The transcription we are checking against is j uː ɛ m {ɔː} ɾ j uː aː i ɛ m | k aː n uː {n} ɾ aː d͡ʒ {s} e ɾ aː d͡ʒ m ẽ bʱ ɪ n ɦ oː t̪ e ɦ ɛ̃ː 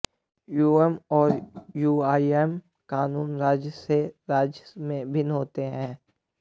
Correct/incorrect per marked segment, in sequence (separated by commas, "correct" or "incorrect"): correct, correct, correct